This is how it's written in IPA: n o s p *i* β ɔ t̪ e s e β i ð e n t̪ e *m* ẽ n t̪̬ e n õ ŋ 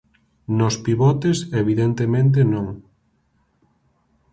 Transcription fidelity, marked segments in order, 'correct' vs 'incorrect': correct, correct

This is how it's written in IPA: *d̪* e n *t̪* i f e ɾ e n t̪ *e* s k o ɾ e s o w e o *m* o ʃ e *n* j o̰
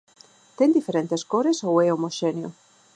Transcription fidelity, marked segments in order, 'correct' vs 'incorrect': incorrect, incorrect, correct, correct, correct

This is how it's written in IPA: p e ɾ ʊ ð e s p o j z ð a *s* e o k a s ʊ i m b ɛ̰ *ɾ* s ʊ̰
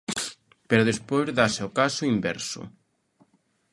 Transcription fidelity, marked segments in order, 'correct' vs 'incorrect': correct, correct

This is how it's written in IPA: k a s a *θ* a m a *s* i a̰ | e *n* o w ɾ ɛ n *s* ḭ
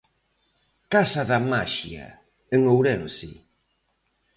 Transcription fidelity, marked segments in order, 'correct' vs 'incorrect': incorrect, incorrect, incorrect, correct

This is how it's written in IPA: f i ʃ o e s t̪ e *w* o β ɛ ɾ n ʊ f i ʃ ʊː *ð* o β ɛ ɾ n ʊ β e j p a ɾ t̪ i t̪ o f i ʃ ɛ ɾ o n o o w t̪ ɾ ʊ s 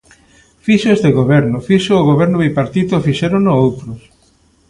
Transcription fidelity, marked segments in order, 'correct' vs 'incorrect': incorrect, incorrect

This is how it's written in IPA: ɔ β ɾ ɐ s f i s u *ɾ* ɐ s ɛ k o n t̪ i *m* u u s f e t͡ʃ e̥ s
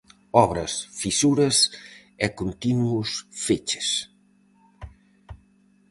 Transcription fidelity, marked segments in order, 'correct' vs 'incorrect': correct, incorrect

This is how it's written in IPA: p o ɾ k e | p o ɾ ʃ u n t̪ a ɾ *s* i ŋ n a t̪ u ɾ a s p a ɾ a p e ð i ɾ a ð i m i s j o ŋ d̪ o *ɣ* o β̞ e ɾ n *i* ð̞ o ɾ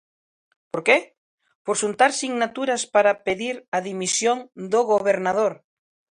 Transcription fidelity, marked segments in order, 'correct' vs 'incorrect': correct, correct, incorrect

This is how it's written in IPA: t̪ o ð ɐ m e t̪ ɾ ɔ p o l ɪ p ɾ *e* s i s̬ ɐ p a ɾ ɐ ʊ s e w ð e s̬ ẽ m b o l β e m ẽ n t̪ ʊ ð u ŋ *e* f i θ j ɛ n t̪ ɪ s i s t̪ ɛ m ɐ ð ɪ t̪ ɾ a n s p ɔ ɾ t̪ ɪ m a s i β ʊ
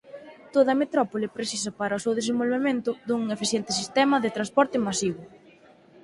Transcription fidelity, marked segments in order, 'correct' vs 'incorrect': correct, correct

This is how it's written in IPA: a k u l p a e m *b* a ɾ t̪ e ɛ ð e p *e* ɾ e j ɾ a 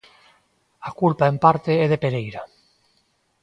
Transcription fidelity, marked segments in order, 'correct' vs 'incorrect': incorrect, correct

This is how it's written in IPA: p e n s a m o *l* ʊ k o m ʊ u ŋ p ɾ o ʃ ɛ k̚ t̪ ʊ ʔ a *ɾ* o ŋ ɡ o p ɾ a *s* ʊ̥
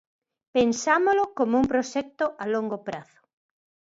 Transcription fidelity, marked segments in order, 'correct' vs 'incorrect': correct, incorrect, incorrect

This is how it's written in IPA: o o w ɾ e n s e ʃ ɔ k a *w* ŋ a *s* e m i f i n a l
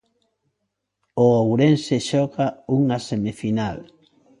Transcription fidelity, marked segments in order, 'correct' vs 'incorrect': incorrect, correct

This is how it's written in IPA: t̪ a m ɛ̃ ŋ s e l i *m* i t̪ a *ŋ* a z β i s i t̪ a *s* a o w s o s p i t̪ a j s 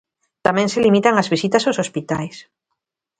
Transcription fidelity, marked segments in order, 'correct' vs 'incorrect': correct, correct, correct

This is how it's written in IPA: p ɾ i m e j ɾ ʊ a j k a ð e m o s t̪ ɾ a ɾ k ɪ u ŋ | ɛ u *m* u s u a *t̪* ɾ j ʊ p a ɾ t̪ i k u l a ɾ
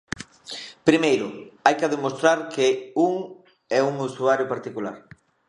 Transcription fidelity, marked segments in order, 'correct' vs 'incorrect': incorrect, incorrect

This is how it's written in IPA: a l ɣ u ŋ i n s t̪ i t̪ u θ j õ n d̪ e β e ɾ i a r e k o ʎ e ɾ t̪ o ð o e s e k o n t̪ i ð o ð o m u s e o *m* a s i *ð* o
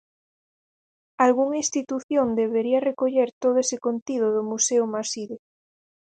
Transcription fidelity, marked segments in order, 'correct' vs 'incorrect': correct, correct

